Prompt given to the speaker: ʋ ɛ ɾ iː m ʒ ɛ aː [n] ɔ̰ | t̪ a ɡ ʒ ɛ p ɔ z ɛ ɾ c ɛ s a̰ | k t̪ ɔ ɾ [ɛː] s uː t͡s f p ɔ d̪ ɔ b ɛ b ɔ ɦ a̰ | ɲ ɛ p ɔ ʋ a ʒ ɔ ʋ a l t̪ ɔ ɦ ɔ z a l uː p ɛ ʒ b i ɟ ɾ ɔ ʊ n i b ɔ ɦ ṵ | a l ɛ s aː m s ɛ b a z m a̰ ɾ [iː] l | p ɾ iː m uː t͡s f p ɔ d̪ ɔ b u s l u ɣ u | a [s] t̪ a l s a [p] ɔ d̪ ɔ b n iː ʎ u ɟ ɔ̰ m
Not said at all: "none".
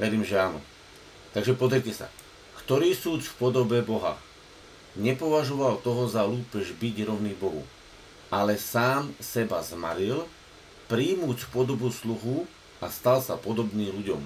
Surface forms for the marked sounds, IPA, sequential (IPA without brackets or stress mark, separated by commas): n, iː, i, s, p